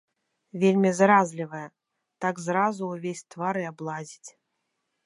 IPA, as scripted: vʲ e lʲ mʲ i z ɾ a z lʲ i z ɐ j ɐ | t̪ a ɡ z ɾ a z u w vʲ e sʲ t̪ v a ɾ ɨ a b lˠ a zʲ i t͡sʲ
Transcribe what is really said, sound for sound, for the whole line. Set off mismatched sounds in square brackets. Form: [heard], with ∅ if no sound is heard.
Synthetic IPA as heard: vʲ e lʲ mʲ i z ɾ a z lʲ i [v] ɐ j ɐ | t̪ a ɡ z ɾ a z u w vʲ e sʲ t̪ v a ɾ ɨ a b lˠ a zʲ i t͡sʲ